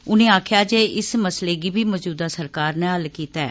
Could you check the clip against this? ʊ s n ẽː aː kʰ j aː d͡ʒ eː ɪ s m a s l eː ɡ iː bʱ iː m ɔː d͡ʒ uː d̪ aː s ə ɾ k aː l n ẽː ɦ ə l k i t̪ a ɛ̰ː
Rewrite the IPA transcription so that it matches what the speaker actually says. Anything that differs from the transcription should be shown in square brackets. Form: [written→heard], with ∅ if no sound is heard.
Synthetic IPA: ʊ [s→∅] n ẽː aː kʰ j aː d͡ʒ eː ɪ s m [a→ə] s l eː ɡ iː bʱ iː m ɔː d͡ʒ uː d̪ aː s ə ɾ k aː [l→ɾ] n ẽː ɦ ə l k [i→iː] t̪ a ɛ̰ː